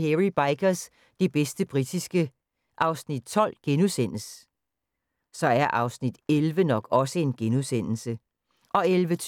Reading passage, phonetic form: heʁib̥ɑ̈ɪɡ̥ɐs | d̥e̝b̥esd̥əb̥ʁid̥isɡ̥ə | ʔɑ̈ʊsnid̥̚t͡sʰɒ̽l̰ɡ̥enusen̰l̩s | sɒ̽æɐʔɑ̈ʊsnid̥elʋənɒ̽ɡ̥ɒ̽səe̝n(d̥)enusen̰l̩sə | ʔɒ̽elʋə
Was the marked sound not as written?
yes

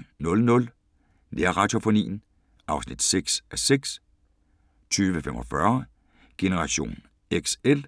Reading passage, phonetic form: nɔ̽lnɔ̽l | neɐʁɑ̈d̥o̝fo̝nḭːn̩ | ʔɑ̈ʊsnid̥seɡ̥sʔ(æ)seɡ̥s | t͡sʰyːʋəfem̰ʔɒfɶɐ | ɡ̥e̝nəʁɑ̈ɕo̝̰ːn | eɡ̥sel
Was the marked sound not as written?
no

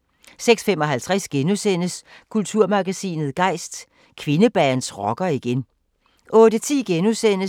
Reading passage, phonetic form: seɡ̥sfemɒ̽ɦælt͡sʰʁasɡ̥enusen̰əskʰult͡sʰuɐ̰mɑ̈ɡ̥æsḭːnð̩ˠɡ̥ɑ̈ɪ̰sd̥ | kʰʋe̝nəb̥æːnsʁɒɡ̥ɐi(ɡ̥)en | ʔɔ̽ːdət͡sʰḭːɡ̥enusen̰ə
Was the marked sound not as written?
no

